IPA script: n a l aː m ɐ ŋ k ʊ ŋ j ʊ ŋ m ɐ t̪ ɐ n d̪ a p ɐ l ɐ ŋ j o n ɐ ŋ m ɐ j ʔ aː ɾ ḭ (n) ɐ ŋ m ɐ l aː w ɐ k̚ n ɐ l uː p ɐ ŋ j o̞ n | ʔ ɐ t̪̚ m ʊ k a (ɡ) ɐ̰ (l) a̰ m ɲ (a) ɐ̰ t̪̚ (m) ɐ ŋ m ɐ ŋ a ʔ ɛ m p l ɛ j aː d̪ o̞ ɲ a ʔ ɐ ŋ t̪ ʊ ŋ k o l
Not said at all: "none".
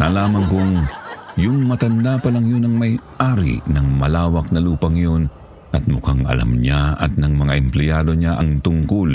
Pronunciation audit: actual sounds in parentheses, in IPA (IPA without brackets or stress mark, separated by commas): n, ŋ, l, a, n